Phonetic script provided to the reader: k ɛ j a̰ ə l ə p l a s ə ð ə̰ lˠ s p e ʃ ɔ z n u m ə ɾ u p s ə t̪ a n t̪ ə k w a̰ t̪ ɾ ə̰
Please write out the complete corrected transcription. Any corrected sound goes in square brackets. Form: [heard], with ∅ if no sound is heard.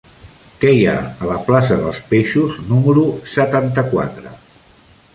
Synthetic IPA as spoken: k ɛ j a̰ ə l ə p l a s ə ð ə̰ lˠ s p e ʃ [u] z n u m ə ɾ u [∅] s ə t̪ a n t̪ ə k w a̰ t̪ ɾ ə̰

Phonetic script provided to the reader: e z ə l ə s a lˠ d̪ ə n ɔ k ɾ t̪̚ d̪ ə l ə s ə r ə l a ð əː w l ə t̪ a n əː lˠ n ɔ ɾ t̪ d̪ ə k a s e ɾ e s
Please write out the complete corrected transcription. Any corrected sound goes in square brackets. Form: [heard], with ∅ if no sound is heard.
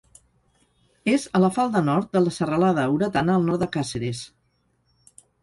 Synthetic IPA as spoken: e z ə l ə [f] a lˠ d̪ ə n ɔ [∅] ɾ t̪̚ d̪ ə l ə s ə r ə l a ð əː w [ɾ] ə t̪ a n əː lˠ n ɔ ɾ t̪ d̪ ə k a s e ɾ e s

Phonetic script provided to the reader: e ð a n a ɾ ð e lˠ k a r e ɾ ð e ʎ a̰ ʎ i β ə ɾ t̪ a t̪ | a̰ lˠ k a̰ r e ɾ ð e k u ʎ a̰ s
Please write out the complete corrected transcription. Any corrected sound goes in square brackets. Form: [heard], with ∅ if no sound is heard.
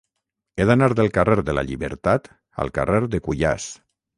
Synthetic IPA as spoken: e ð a n a ɾ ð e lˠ k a r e ɾ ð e [l] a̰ ʎ i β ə ɾ t̪ a t̪ | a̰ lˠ k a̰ r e ɾ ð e k u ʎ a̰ s

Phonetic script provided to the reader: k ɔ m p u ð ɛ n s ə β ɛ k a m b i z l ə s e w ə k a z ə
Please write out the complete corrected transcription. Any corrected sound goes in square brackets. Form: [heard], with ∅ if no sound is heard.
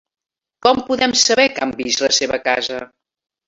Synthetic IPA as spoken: k ɔ m p u ð ɛ [m] s ə β ɛ k a m b i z l ə s e [β] ə k a z ə

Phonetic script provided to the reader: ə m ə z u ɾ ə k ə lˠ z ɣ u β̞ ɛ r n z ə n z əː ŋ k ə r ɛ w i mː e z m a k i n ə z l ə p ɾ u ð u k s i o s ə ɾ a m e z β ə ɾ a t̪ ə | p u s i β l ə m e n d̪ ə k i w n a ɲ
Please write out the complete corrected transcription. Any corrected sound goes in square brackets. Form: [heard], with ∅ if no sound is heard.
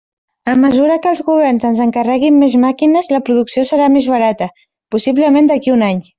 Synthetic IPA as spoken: ə m ə z u ɾ ə k ə lˠ z ɣ u β̞ ɛ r n z ə n z [ə] ŋ k ə r ɛ [ɣ] i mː e z m a k i n ə z l ə p ɾ u ð u k s i o s ə ɾ a m e z β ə ɾ a t̪ ə | p u s i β l ə m e n d̪ ə k i [u] n a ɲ

